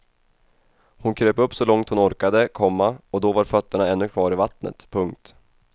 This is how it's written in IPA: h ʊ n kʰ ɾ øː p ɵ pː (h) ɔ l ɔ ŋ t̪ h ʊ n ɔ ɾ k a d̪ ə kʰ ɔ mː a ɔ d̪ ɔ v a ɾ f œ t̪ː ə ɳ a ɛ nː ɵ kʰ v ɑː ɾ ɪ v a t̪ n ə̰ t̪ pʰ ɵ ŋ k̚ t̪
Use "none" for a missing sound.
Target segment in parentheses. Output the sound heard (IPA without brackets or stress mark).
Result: s